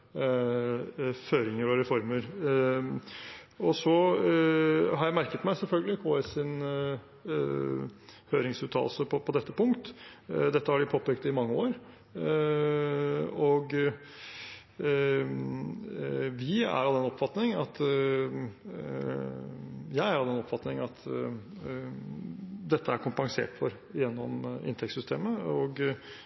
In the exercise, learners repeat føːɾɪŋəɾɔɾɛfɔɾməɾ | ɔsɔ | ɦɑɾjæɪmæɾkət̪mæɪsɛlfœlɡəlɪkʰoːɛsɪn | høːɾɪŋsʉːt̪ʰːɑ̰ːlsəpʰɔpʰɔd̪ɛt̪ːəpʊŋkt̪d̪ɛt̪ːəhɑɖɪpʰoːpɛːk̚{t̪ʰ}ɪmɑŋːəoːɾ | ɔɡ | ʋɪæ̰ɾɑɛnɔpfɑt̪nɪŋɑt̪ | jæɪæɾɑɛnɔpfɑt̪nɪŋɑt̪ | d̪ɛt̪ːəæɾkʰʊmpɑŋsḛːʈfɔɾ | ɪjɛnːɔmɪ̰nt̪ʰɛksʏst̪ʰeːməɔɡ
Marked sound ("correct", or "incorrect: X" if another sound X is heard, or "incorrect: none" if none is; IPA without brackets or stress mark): incorrect: t̪